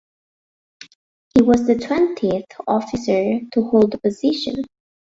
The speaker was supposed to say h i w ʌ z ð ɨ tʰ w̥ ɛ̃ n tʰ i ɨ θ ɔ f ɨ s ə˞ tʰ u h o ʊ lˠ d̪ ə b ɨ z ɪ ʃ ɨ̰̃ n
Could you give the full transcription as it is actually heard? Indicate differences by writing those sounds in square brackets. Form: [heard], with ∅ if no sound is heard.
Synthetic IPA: h i w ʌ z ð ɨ tʰ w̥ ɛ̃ n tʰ i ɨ θ ɔ f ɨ s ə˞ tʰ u h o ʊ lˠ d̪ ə [p] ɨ z ɪ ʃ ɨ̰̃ n